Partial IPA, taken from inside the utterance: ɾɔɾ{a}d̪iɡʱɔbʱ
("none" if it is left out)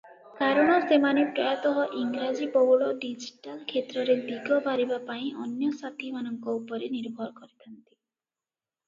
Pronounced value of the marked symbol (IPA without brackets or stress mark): e